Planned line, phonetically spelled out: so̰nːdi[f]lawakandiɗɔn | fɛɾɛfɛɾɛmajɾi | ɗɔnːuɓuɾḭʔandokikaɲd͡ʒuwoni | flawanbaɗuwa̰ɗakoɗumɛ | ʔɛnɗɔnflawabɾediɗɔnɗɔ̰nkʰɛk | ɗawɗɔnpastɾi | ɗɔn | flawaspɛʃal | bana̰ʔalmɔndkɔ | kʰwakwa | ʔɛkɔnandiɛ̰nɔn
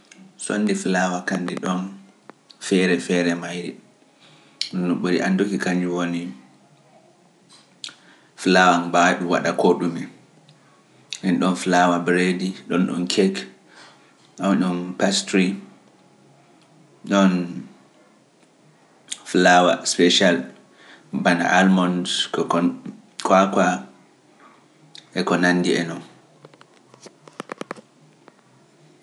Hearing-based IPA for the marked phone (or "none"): f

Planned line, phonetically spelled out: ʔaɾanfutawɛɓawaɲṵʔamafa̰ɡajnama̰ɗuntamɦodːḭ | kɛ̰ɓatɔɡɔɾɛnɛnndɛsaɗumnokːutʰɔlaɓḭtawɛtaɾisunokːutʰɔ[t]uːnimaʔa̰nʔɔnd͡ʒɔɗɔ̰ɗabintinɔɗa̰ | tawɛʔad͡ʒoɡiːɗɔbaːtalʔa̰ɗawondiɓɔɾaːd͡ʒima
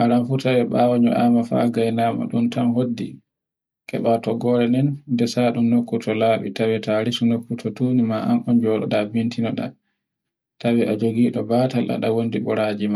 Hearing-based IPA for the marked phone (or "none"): t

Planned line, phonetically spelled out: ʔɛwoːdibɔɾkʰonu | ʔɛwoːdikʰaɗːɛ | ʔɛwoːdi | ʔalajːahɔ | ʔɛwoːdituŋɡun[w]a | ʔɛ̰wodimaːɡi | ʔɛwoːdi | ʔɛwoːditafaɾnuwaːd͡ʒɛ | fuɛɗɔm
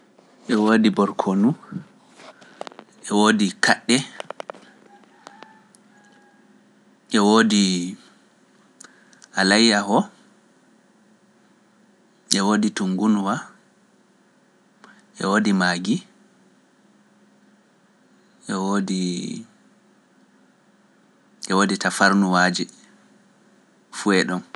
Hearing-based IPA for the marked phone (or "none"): w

